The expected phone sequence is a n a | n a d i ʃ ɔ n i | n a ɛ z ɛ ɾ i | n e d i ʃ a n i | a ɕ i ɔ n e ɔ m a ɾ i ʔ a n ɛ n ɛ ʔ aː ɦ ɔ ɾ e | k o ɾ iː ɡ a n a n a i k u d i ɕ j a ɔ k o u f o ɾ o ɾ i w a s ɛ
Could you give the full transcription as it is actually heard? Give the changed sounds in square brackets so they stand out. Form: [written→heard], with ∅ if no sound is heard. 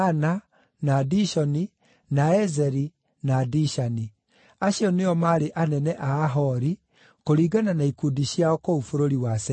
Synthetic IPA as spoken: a n a | n a d i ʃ ɔ n i | n a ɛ z ɛ ɾ i | n [e→a] d i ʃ a n i | a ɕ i ɔ n e ɔ m a ɾ [i→e] ʔ a n ɛ n ɛ ʔ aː ɦ ɔ ɾ [e→i] | k o ɾ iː ɡ a n a n a i k u d i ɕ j a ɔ k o u f o ɾ o ɾ i w a s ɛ

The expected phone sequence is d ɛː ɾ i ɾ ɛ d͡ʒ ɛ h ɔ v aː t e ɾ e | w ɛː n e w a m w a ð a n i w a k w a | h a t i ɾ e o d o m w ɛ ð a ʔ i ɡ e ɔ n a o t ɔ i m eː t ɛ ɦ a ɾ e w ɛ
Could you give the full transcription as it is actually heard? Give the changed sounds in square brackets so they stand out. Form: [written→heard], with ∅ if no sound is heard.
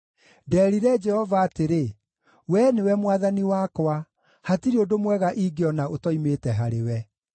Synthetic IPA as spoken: d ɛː ɾ i ɾ ɛ d͡ʒ ɛ h ɔ v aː t e ɾ e | w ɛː n e w [a→ɛ] m w a ð a n i w a k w a | h a t i ɾ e o d o m w ɛ [ð→ɣ] a ʔ i ɡ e ɔ n a o t ɔ i m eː t ɛ ɦ a ɾ e w ɛ

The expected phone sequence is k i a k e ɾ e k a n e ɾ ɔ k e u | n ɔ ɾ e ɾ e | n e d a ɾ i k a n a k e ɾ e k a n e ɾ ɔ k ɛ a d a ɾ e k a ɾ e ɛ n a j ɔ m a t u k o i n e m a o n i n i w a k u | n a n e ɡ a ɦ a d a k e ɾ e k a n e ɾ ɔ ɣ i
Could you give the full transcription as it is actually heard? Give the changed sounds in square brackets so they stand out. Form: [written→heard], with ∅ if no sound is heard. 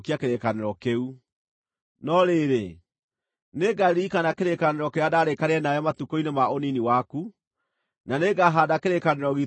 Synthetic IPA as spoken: k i a k e ɾ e k a n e ɾ ɔ k e u | n ɔ ɾ e ɾ e | n e [d→ɡ] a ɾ i k a n a k e ɾ e k a n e ɾ ɔ k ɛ a d a ɾ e k a ɾ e ɛ n a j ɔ m a t u k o i n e m a o n i n i w a k u | n a n e ɡ a ɦ a d a k e ɾ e k a n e ɾ ɔ ɣ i

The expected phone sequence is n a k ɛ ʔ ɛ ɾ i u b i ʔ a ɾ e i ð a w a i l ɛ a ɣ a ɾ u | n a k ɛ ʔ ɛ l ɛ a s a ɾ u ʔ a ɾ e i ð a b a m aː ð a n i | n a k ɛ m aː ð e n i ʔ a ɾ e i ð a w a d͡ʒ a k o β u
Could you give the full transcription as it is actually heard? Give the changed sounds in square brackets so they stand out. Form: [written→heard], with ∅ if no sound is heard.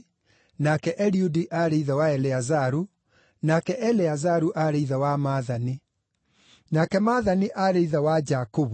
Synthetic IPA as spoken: n a k ɛ ʔ ɛ ɾ i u [b→d] i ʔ a ɾ e i ð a w a [i→ɛ] l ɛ a [ɣ→z] a ɾ u | n a k ɛ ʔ ɛ l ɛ a [s→z] a ɾ u ʔ a ɾ e i ð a [b→w] a m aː ð a n i | n a k ɛ m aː ð [e→a] n i ʔ a ɾ e i ð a w a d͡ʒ a k o β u

